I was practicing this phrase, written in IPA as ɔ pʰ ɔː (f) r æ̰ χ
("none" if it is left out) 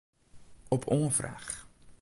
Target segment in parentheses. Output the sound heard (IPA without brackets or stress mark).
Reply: f